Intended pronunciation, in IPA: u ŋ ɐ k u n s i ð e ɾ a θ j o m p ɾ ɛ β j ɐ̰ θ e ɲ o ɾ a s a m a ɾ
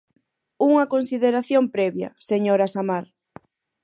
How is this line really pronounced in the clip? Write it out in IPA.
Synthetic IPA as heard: u ŋ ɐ k o n s i ð e ɾ a θ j o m p ɾ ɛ β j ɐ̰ s e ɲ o ɾ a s a m a ɾ